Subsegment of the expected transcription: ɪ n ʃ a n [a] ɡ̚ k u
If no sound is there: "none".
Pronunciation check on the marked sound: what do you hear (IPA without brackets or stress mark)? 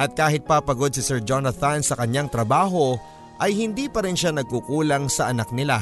ɐ